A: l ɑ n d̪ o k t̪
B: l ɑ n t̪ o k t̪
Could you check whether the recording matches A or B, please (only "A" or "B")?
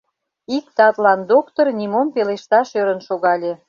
A